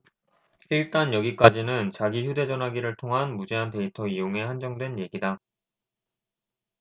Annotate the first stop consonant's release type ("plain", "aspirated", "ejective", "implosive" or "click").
plain